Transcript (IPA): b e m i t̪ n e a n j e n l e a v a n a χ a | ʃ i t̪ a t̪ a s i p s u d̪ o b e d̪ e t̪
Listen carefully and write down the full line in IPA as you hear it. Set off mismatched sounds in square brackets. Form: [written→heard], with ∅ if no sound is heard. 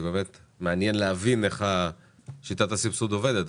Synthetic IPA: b e m [i→e] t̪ [n→m] e a n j e n l e a v [a→i] n [a→e] χ a | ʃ i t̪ a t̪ a s i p s u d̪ o [b→v] e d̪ e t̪

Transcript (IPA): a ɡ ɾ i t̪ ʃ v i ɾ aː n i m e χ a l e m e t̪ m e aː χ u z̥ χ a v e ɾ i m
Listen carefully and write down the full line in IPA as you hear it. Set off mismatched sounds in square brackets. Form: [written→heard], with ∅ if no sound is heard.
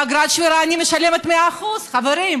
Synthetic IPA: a ɡ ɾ [i→a] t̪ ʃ v i ɾ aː n i m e [χ→ʃ] a l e m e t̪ m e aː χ u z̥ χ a v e ɾ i m

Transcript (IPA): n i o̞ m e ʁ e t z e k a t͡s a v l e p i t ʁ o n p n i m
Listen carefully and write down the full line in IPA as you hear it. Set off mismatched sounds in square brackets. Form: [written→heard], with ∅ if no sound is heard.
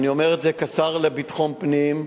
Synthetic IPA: n i o̞ m e ʁ e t z e k a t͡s a [v→ʁ] l e [p→b] i t [ʁ→χ] o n p n i m

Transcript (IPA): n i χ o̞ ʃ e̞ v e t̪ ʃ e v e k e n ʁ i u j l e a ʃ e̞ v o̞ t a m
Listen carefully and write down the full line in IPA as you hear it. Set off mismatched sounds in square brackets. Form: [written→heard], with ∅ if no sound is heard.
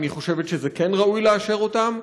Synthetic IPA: n i χ o̞ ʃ e̞ v e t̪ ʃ e [v→z] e k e n ʁ [i→a] u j l e a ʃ e̞ [v→ʁ] o̞ t a m

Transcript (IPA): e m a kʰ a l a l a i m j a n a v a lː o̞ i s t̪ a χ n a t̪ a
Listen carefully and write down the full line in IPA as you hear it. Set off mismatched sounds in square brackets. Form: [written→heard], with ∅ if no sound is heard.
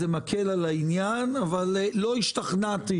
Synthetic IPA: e m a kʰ [a→e] l a l a i [m→n] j a n a v a lː o̞ i [s→ʃ] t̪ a χ n a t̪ [a→i]

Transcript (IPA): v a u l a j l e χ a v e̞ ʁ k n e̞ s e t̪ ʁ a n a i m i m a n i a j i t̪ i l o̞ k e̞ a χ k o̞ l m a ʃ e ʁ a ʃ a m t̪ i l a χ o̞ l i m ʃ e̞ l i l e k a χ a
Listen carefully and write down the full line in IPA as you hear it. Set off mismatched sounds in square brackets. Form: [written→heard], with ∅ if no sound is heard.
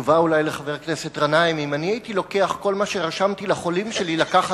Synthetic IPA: v a u l a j l e χ a v e̞ ʁ k n e̞ s e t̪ ʁ a n a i m i m a n i a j i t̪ i l o̞ k e̞ a χ k o̞ l m a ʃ e ʁ a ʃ a m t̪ i l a χ o̞ l i m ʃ e̞ l i l [e→a] k a χ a

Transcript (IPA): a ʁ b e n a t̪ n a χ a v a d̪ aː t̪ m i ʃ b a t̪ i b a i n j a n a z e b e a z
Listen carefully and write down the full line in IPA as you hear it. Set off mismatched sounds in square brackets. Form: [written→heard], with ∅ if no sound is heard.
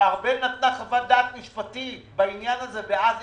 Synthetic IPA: a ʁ b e n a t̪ n a χ a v a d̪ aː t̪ m i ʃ [b→p] a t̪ i b a i n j a n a z e b e a z

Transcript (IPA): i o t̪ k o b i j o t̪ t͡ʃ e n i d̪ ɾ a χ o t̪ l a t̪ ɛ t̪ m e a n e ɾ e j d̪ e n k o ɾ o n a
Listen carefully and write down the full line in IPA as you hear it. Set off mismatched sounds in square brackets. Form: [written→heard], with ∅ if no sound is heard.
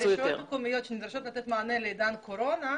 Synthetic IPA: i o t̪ k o [b→m] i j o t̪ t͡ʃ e n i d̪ ɾ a [χ→ʃ] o t̪ l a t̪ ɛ t̪ m [e→a] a n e [ɾ→l] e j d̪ [e→a] n k o ɾ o n a

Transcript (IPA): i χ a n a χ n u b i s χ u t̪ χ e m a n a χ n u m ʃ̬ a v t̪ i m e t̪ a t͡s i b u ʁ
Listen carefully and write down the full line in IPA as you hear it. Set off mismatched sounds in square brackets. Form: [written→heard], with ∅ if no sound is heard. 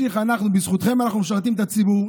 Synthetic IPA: i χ a n a χ n u b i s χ u t̪ χ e m a n a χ n u m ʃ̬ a [v→ʁ] t̪ i m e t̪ a t͡s i b u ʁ

